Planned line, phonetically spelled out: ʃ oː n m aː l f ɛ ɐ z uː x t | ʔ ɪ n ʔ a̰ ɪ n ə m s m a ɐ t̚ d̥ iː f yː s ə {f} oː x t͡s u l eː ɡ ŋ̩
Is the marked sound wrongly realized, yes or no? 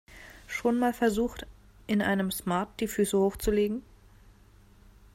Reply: yes